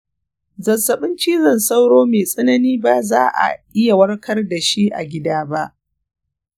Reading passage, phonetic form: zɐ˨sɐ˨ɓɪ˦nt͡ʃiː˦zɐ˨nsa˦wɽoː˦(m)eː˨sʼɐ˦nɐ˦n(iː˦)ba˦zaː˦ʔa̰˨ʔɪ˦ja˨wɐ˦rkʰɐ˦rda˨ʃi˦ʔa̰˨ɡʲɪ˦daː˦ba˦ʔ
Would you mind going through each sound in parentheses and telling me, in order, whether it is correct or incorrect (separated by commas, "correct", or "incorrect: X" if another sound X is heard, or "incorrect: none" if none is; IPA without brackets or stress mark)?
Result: correct, correct